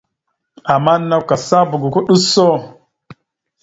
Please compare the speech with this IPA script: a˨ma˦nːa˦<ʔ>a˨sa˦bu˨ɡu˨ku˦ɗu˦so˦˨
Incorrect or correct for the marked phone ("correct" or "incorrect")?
incorrect